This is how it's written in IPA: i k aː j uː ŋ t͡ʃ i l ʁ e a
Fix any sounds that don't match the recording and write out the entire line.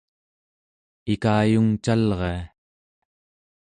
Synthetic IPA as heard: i k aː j u ŋ t͡ʃ a l ʁ e a